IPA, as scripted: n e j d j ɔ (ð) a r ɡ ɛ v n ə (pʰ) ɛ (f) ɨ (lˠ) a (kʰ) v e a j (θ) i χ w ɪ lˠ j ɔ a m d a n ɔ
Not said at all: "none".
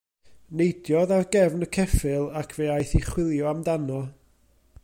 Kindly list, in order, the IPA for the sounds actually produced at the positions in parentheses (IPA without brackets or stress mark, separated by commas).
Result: ð, kʰ, f, lˠ, kʰ, θ